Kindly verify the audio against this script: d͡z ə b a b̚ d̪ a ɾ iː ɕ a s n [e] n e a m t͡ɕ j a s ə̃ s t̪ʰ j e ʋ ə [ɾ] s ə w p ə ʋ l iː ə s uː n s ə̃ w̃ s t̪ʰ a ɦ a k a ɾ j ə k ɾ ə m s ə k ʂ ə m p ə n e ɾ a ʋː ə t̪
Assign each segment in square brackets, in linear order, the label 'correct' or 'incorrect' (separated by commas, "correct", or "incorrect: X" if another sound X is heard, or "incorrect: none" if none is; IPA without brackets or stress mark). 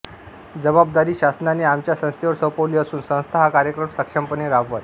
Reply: incorrect: a, correct